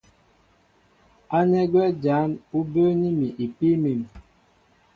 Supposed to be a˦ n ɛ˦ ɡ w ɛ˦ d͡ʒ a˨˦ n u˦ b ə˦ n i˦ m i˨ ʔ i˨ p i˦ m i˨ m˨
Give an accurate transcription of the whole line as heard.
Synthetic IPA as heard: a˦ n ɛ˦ ɡ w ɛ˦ d͡ʒ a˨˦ n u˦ b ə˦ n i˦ m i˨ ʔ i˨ p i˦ m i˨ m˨